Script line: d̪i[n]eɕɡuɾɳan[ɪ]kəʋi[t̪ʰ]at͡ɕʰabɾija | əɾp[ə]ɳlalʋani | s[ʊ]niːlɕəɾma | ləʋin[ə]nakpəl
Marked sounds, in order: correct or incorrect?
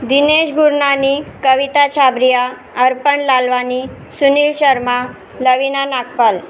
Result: correct, incorrect, incorrect, correct, incorrect, incorrect

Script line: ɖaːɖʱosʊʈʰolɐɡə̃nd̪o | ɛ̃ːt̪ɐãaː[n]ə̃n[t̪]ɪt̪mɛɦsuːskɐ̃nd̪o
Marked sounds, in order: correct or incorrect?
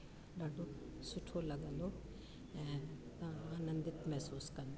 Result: correct, incorrect

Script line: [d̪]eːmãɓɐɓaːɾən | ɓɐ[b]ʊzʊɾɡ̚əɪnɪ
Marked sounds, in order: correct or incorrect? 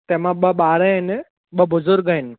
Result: incorrect, correct

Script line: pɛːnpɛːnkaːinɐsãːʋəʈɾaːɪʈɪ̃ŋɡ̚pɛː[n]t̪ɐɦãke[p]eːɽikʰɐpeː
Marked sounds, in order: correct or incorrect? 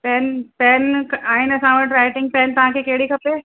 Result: correct, incorrect

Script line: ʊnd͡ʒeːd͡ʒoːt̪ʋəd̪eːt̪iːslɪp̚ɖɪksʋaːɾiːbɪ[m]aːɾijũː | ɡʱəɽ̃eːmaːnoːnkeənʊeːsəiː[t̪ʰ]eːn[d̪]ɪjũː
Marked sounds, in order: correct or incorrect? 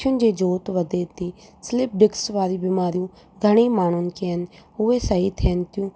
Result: correct, correct, incorrect

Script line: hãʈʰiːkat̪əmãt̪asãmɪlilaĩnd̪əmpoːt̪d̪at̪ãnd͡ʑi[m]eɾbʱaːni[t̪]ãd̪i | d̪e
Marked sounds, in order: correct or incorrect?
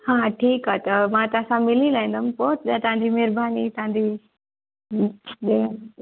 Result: correct, correct

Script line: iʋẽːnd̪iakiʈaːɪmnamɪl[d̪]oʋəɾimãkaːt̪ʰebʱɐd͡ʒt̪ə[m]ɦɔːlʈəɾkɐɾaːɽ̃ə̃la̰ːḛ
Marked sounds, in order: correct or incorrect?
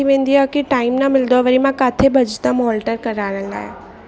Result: correct, correct

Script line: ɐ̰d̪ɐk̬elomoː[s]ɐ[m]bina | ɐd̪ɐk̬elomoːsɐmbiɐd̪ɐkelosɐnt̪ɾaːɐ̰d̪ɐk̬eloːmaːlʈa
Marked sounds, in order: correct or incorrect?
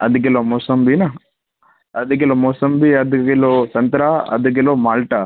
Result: correct, correct

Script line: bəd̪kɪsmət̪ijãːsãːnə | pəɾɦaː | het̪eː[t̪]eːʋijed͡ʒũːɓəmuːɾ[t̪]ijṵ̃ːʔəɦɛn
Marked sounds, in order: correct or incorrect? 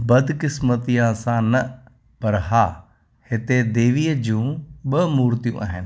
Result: incorrect, correct

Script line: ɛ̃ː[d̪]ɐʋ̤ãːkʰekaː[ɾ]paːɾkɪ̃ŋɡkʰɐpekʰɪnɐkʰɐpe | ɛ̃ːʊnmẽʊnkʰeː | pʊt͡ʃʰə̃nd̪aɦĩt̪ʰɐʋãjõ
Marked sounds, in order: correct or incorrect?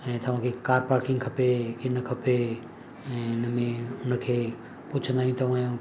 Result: incorrect, correct

